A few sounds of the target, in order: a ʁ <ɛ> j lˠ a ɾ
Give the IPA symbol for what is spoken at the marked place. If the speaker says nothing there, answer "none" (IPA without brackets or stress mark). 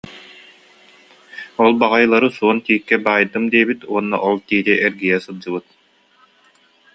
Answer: a